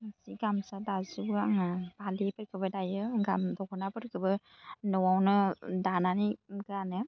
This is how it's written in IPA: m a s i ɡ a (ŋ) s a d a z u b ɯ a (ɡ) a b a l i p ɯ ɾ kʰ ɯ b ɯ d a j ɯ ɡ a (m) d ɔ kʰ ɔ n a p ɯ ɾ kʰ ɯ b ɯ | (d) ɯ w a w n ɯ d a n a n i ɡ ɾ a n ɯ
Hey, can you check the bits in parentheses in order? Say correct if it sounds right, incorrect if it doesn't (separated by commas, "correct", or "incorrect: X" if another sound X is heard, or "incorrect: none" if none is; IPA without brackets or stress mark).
incorrect: m, incorrect: ŋ, correct, incorrect: n